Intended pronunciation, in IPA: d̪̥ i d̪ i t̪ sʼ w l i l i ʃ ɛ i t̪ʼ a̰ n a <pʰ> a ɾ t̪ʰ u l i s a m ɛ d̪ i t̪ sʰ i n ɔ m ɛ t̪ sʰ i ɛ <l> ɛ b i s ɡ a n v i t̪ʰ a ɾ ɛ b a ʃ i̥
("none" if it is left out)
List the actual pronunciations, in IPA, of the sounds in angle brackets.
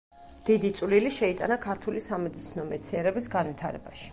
kʰ, ɾ

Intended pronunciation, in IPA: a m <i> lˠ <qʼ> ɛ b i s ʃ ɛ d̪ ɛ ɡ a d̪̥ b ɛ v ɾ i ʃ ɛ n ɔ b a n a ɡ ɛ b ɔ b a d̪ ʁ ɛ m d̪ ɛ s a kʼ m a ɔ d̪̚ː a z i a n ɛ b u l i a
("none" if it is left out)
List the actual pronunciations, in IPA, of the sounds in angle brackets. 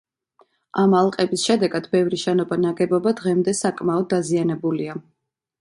a, qʼ

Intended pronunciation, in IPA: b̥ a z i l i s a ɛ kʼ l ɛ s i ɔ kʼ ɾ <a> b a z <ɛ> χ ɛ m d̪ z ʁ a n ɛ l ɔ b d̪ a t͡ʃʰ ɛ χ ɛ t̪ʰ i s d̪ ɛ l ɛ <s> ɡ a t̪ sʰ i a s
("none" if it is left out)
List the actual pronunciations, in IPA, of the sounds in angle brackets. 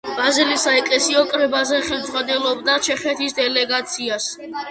ɛ, ɛ, none

